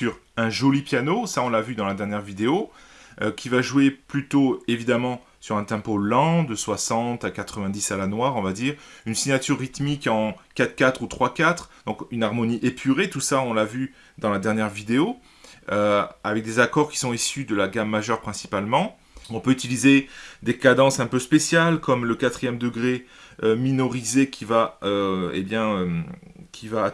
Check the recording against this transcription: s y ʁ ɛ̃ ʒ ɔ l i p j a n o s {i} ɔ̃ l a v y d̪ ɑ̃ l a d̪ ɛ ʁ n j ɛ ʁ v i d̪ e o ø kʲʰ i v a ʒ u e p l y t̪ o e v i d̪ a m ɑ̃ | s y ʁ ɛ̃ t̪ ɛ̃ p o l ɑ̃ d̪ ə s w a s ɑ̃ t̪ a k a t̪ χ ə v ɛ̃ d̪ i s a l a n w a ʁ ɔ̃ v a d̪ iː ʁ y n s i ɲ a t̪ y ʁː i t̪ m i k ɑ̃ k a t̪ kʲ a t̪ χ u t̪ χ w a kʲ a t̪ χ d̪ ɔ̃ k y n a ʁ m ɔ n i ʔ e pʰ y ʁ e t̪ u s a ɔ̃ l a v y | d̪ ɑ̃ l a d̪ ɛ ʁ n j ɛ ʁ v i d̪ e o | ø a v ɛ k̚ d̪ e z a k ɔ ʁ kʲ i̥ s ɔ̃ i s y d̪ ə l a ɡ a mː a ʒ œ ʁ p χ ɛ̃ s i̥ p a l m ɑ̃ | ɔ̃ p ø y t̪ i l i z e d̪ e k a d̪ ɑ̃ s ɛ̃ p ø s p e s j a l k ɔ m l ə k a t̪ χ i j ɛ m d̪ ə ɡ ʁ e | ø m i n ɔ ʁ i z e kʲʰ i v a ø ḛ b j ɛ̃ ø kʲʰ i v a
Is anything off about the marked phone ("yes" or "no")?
yes